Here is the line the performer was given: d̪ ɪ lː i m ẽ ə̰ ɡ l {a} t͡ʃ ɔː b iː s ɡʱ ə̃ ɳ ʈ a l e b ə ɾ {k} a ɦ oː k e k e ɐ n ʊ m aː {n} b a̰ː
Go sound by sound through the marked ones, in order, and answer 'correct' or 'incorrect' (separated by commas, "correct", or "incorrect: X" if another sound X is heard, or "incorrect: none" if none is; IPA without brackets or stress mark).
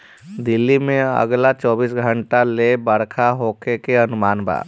correct, incorrect: kʰ, correct